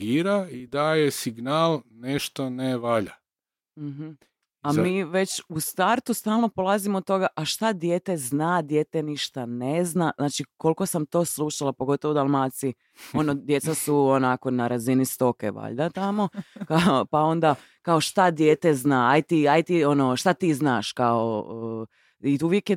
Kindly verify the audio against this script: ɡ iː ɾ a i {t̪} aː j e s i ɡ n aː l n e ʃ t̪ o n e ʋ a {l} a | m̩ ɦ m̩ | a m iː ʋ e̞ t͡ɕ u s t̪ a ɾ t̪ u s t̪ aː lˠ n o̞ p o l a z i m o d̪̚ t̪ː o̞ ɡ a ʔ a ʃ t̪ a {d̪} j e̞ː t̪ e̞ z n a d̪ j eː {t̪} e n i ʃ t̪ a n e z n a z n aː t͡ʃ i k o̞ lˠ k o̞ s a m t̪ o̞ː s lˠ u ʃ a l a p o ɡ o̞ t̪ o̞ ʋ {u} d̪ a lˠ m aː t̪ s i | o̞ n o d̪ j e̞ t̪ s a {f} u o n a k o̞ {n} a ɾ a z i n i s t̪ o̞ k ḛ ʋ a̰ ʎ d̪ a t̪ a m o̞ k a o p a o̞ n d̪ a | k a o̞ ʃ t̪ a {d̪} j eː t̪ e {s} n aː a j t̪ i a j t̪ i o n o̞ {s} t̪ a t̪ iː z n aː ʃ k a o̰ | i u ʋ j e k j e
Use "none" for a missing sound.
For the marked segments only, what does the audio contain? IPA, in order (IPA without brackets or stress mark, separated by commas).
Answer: d̪, ʎ, d̪, t̪, o, s, n, d̪, z, ʃ